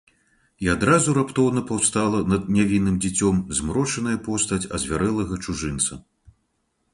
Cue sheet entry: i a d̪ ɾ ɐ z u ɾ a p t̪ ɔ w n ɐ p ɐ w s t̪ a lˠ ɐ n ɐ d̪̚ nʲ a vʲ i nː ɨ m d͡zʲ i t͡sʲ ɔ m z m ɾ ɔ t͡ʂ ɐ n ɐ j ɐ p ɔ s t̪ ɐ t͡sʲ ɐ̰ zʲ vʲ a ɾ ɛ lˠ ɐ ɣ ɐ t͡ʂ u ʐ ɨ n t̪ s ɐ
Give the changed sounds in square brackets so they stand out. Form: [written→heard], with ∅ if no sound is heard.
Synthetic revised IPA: i a d̪ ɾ [ɐ→a] z u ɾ a p t̪ ɔ w n ɐ p [ɐ→a] w s t̪ a lˠ ɐ n ɐ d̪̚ nʲ a vʲ i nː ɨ m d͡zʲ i t͡sʲ ɔ m z m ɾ ɔ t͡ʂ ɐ n ɐ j ɐ p ɔ s t̪ ɐ t͡sʲ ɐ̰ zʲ vʲ a ɾ ɛ lˠ ɐ ɣ ɐ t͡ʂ u ʐ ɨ n t̪ s ɐ

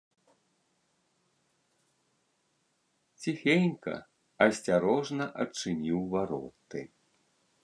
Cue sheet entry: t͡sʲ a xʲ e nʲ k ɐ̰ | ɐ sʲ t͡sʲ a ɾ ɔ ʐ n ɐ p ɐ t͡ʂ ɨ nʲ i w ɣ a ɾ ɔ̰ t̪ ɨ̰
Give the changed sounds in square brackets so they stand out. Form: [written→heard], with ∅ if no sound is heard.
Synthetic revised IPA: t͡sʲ [a→i] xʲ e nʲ k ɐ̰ | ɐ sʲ t͡sʲ a ɾ ɔ ʐ n ɐ [p→ʔ] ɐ t͡ʂ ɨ nʲ i w [ɣ→v] a ɾ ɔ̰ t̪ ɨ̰

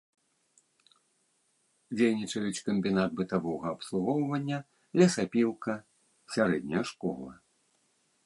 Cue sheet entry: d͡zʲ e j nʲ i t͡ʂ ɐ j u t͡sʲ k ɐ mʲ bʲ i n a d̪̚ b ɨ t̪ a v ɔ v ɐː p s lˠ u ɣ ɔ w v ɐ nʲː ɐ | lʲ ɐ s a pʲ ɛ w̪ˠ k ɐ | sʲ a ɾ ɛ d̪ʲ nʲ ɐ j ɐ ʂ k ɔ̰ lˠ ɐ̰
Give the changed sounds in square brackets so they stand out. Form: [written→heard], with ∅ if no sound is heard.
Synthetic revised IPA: d͡zʲ e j nʲ i t͡ʂ ɐ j u t͡sʲ k ɐ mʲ bʲ i n a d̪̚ b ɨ t̪ a v ɔ [v→ɣ] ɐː p s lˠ u ɣ ɔ w v ɐ nʲː ɐ | lʲ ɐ s a pʲ [ɛ→i] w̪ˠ k ɐ | sʲ a ɾ ɛ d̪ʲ nʲ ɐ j ɐ ʂ k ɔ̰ lˠ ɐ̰

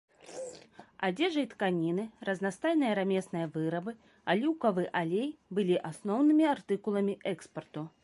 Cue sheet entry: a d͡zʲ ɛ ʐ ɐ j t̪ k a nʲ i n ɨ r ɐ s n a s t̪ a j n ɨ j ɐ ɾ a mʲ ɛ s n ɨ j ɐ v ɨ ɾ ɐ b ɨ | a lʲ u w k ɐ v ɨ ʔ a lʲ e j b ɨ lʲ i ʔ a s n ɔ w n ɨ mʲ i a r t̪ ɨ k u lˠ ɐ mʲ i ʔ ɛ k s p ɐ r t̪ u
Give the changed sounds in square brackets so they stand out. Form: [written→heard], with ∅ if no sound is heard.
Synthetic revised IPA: a d͡zʲ ɛ ʐ ɐ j t̪ k a nʲ i n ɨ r ɐ [s→z] n a s t̪ a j n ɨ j ɐ ɾ a mʲ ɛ s n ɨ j ɐ v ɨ ɾ ɐ b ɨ | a lʲ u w k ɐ v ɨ ʔ a lʲ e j b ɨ lʲ i ʔ a s n ɔ w n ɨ mʲ i a r t̪ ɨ k u lˠ ɐ mʲ i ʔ ɛ k s p ɐ r t̪ u

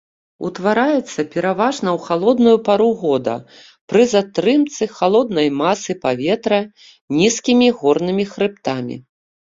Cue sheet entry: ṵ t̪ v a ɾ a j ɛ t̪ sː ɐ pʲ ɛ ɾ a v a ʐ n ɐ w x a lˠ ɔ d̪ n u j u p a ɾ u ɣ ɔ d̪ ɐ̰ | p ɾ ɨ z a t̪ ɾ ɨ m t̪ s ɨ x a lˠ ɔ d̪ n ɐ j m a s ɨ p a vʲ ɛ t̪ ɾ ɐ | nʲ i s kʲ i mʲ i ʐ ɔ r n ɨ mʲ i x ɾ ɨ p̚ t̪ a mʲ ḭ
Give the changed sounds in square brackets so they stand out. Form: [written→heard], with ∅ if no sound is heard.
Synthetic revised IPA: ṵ t̪ v a ɾ a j ɛ t̪ sː ɐ pʲ ɛ ɾ a v a ʐ n ɐ w x a lˠ ɔ d̪ n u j u p a ɾ u ɣ ɔ d̪ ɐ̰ | p ɾ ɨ z a t̪ ɾ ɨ m t̪ s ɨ x a lˠ ɔ d̪ n ɐ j m a s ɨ p a vʲ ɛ t̪ ɾ ɐ | nʲ i s kʲ i mʲ i [ʐ→ɣ] ɔ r n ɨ mʲ i x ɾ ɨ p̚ t̪ a mʲ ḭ

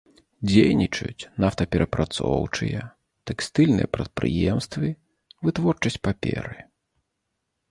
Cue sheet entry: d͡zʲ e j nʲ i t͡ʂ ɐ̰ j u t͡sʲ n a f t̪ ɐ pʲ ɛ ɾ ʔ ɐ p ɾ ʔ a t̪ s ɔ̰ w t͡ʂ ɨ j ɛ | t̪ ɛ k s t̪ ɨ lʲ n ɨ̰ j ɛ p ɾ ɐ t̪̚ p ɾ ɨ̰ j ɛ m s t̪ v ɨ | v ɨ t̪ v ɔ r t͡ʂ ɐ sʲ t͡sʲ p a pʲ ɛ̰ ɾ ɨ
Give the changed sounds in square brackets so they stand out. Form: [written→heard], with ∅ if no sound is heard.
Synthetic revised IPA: d͡zʲ e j nʲ i t͡ʂ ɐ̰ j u t͡sʲ n a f t̪ ɐ pʲ ɛ ɾ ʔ ɐ p ɾ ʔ a t̪ s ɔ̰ w t͡ʂ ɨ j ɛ | t̪ ɛ k s t̪ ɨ lʲ n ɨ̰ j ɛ p ɾ ɐ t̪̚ p ɾ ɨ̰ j ɛ m s t̪ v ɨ | v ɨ t̪ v ɔ r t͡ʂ ɐ sʲ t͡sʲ p a pʲ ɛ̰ ɾ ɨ

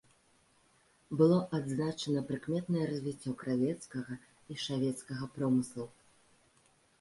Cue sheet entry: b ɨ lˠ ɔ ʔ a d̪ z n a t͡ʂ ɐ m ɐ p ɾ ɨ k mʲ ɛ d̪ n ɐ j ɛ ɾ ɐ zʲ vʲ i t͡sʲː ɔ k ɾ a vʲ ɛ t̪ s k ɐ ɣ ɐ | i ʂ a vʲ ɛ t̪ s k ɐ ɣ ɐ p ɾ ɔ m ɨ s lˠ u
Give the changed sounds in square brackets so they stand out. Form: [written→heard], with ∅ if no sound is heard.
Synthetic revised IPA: b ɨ lˠ ɔ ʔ a d̪ z n a t͡ʂ ɐ [m→n] ɐ p ɾ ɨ k mʲ ɛ [d̪→t̪] n ɐ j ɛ ɾ ɐ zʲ vʲ i t͡sʲː ɔ k ɾ a vʲ ɛ t̪ s k ɐ ɣ ɐ | i ʂ a vʲ ɛ t̪ s k ɐ ɣ ɐ p ɾ ɔ m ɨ s lˠ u

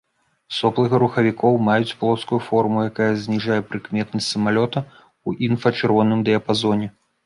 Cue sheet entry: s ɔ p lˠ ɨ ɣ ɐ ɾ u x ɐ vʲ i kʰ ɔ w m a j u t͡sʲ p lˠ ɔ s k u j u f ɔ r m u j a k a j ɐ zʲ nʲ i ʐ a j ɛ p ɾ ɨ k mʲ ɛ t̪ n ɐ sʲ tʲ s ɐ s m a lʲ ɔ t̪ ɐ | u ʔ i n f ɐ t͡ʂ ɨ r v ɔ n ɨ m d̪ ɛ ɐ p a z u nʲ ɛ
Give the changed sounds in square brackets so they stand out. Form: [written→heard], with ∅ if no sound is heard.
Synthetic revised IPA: s ɔ p lˠ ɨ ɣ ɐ ɾ u x ɐ vʲ i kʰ ɔ w m a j u t͡sʲ p lˠ ɔ s k u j u f ɔ r m u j a k a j ɐ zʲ nʲ i ʐ a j ɛ p ɾ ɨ k mʲ ɛ t̪ n ɐ sʲ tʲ s ɐ [s→∅] m a lʲ ɔ t̪ ɐ | u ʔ i n f ɐ t͡ʂ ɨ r v ɔ n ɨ m d̪ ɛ ɐ p a z [u→ɔ] nʲ ɛ

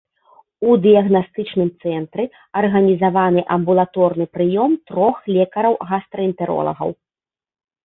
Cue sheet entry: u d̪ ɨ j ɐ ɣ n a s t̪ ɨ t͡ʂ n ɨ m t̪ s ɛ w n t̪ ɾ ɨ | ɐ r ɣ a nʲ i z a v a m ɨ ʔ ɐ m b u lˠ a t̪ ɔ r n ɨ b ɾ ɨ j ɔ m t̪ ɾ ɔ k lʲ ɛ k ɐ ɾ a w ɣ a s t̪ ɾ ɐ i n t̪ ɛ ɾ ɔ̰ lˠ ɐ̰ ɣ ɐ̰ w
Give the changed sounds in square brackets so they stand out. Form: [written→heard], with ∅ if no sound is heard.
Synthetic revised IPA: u d̪ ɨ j ɐ ɣ n a s t̪ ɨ t͡ʂ n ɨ m t̪ s ɛ [w→∅] n t̪ ɾ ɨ | ɐ r ɣ [a→ɐ] nʲ i z a v a [m→n] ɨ ʔ ɐ m b u lˠ a t̪ ɔ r n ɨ [b→p] ɾ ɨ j ɔ m t̪ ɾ ɔ [k→x] lʲ ɛ k ɐ ɾ [a→ɐ] w ɣ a s t̪ ɾ ɐ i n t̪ ɛ ɾ ɔ̰ lˠ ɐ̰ ɣ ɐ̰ w

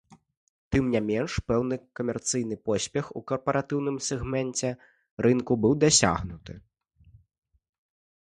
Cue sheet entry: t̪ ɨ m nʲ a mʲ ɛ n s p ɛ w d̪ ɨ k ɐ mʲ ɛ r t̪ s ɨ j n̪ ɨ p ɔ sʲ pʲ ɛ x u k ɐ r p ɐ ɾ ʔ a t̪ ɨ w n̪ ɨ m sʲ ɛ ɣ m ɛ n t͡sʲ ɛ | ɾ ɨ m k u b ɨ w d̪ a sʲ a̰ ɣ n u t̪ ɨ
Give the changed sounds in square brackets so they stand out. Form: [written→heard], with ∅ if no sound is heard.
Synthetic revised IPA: t̪ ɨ m nʲ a mʲ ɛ n [s→ʂ] p ɛ w [d̪→n̪] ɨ k ɐ mʲ ɛ r t̪ s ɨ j n̪ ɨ p ɔ sʲ pʲ ɛ x u k ɐ r p ɐ ɾ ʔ a t̪ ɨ w n̪ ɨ m sʲ ɛ ɣ m ɛ n t͡sʲ ɛ | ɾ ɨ [m→n] k u b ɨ w d̪ a sʲ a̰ ɣ n u t̪ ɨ

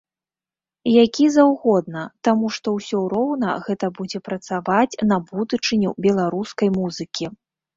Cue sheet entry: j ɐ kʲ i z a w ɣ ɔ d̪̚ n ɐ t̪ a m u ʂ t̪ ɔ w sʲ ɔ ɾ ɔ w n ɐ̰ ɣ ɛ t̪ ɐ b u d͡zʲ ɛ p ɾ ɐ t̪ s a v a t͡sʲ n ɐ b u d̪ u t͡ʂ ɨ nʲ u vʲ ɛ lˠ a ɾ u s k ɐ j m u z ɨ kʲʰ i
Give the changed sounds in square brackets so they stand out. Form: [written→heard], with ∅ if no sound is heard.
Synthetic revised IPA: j [ɐ→a] kʲ i z a w ɣ ɔ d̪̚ n ɐ t̪ a m u ʂ t̪ ɔ w sʲ ɔ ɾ ɔ w n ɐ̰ ɣ ɛ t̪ ɐ b u d͡zʲ ɛ p ɾ ɐ t̪ s a v a t͡sʲ n ɐ b u d̪ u t͡ʂ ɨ nʲ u [vʲ→bʲ] ɛ lˠ a ɾ u s k ɐ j m u z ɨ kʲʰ i

